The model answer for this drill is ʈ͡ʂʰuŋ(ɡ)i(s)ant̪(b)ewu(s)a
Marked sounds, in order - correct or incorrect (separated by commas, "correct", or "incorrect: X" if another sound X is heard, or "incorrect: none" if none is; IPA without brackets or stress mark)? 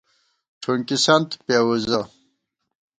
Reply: incorrect: k, correct, incorrect: p, incorrect: z